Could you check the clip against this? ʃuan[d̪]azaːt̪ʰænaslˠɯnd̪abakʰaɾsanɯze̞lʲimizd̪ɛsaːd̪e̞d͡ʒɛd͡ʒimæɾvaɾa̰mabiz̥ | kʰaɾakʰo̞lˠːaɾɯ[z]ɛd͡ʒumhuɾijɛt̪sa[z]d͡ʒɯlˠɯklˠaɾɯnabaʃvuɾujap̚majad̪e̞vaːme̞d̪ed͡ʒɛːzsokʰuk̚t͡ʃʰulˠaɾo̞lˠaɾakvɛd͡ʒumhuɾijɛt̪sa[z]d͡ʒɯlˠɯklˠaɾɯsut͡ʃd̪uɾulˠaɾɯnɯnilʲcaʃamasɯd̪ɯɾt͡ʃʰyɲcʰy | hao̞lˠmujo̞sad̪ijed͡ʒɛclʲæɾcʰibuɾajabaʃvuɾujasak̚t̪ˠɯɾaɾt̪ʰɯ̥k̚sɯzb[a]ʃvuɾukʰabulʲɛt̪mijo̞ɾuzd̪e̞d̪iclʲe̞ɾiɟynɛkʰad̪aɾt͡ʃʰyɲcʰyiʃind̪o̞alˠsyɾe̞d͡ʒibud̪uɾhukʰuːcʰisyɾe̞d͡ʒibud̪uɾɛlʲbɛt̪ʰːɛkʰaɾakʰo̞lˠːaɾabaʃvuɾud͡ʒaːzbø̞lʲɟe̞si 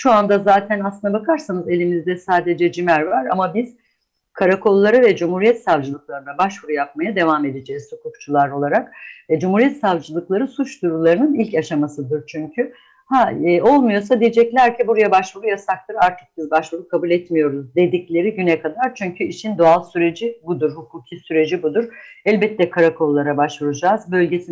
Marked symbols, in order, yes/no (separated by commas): yes, no, no, no, yes